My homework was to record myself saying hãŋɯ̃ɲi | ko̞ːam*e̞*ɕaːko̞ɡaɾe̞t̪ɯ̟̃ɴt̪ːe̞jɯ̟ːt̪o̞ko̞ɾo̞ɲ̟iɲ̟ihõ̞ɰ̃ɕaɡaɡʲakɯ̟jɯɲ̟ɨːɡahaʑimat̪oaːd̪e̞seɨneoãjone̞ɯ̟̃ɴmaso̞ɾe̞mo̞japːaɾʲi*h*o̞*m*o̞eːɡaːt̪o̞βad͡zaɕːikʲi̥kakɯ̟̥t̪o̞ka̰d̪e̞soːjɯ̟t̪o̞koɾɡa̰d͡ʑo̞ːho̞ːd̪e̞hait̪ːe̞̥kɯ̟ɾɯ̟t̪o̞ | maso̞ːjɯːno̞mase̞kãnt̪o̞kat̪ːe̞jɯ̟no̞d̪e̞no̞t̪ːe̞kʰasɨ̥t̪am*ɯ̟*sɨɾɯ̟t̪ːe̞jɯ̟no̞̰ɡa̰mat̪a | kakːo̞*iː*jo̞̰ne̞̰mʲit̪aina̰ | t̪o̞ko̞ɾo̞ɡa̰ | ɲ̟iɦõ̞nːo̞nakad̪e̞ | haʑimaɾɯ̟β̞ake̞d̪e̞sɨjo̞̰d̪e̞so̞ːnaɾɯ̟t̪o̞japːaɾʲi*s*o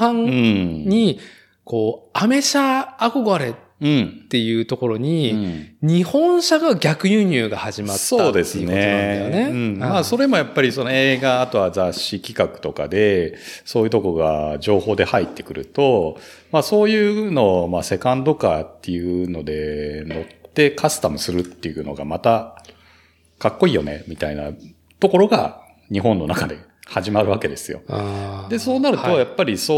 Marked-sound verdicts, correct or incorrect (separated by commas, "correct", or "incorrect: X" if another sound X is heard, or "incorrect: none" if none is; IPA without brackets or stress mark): correct, incorrect: s, incorrect: n, correct, correct, correct